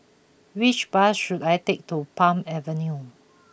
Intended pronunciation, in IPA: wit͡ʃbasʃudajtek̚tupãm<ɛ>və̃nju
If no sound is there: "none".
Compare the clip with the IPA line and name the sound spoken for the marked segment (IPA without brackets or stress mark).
ɛ